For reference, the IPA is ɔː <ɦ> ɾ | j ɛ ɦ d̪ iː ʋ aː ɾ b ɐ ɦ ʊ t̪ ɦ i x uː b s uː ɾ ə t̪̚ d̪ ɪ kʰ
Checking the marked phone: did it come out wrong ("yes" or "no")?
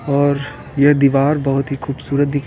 yes